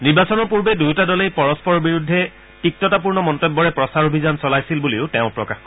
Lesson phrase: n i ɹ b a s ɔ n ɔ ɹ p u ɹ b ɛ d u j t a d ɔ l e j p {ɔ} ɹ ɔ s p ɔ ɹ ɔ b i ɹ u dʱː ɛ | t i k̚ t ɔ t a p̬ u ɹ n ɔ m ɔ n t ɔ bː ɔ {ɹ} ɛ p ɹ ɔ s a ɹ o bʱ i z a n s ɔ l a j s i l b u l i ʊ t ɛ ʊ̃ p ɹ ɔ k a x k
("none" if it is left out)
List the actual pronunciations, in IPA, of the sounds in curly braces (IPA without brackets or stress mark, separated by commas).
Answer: ɔ, ɹ